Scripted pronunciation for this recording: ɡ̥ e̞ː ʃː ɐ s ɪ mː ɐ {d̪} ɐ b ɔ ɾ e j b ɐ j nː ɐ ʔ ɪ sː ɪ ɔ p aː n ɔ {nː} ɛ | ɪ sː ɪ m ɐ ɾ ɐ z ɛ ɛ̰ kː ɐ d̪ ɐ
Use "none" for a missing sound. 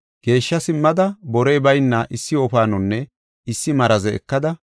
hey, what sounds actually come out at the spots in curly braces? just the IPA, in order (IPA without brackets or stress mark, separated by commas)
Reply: d̪, nː